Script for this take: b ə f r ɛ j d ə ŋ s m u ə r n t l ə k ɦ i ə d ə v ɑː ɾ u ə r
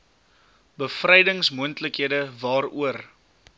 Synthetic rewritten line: b ə f r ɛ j d ə ŋ s m u ə n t l ə k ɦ i ə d ə v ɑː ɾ u ə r